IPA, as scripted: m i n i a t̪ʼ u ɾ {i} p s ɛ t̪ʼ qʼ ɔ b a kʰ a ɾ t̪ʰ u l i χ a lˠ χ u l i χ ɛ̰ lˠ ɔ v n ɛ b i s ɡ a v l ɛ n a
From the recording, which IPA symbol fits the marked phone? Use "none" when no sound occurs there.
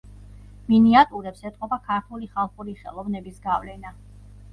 ɛ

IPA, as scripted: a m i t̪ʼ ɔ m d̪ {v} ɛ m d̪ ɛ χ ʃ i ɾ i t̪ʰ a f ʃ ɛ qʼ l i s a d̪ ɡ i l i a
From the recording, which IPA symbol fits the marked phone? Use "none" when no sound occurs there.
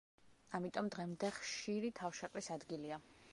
ʁ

